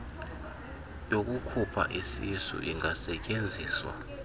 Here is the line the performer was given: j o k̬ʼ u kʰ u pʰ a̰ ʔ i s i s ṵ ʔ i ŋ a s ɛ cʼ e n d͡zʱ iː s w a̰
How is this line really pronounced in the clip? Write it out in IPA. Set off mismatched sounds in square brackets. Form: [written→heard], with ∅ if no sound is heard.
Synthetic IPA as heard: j o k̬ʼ u kʰ u pʰ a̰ ʔ i s i s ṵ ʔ i ŋ a s ɛ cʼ e n d͡zʱ iː s w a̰